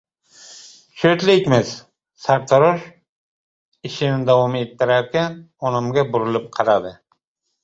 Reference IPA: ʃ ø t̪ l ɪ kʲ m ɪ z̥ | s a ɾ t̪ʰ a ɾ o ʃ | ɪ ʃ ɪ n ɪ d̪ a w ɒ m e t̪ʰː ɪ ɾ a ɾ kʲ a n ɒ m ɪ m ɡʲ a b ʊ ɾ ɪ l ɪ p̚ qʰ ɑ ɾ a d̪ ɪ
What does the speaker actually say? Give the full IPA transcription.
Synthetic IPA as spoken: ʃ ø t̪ l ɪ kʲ m ɪ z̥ | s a ɾ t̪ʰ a ɾ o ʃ | ɪ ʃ ɪ n ɪ d̪ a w ɒ m e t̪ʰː ɪ ɾ a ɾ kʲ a n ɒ n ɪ m ɡʲ a b ʊ ɾ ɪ l ɪ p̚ qʰ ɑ ɾ a d̪ ɪ